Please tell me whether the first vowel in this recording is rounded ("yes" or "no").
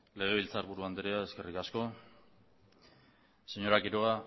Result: no